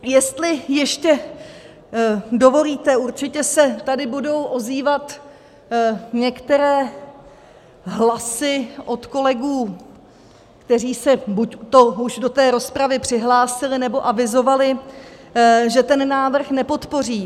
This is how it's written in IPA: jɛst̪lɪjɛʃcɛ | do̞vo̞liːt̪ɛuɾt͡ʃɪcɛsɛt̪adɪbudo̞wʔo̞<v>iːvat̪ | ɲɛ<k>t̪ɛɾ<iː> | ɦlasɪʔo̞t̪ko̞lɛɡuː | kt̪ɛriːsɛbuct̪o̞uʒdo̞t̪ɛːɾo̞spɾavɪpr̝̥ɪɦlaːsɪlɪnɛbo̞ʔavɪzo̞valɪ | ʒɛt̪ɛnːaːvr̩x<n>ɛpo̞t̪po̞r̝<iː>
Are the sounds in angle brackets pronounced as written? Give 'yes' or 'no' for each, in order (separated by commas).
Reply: no, yes, no, yes, yes